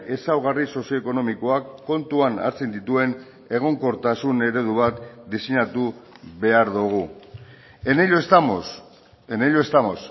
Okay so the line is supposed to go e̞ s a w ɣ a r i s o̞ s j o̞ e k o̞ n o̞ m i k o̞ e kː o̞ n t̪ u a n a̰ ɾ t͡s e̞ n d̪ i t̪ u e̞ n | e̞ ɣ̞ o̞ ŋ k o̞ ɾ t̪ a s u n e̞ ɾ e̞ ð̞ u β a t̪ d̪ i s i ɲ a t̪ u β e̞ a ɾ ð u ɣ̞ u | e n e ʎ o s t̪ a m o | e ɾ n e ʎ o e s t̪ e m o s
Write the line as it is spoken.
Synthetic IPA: e̞ s a w ɣ a r i s o̞ s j o̞ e k o̞ n o̞ m i k o̞ a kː o̞ n t̪ u a n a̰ ɾ t͡s e̞ n d̪ i t̪ u e̞ n | e̞ ɣ̞ o̞ ŋ k o̞ ɾ t̪ a s u n e̞ ɾ e̞ ð̞ u β a t̪ d̪ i s i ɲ a t̪ u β e̞ a ɾ ð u ɣ̞ u | e n e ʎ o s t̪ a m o | e n e ʎ o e s t̪ a m o s